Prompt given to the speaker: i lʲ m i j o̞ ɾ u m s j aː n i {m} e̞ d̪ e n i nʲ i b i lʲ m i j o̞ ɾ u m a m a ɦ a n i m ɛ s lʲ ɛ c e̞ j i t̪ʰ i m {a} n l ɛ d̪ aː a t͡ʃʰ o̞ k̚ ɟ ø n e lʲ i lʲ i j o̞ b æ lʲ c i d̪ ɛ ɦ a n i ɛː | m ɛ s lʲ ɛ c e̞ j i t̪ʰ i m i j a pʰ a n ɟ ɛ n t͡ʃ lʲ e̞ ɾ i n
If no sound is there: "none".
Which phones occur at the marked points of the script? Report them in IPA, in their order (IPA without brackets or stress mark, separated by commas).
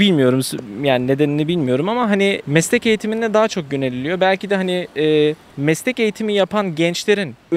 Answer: n, i